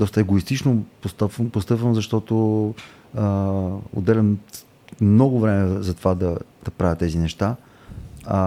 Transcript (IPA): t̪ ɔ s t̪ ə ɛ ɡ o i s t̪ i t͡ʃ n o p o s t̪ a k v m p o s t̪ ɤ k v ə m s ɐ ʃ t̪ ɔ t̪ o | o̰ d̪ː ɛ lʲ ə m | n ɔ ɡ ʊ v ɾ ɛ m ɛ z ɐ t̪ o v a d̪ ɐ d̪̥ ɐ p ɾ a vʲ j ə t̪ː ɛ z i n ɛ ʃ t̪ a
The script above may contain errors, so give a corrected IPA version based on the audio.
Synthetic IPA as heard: d̪ ɔ s t̪ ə ɛ ɡ o i s t̪ i t͡ʃ n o p o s t̪ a p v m p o s t̪ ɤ p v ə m z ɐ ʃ t̪ ɔ t̪ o | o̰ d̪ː ɛ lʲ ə m | n ɔ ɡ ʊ v ɾ ɛ m ɛ z ɐ t̪ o v a d̪ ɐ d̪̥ ɐ p ɾ a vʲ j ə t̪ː ɛ z i n ɛ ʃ t̪ a